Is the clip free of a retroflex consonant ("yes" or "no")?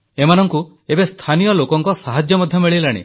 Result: no